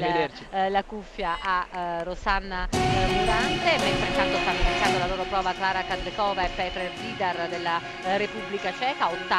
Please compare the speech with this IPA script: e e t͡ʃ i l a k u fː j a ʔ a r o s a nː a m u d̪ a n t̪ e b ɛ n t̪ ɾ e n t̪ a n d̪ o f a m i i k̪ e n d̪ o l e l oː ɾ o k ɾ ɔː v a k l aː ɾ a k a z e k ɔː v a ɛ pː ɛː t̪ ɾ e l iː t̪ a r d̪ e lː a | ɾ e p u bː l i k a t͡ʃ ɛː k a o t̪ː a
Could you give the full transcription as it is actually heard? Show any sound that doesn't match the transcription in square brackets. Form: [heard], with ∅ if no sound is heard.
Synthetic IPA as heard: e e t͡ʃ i l a k u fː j a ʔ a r o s a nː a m u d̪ a n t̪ e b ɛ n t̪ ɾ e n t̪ a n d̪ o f a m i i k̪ [a] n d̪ o l [a] l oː ɾ o [p] ɾ ɔː v a k l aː ɾ a k a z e k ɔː v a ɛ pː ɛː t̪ ɾ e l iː [d̪] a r d̪ e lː a | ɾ e p u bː l i k a t͡ʃ ɛː k a o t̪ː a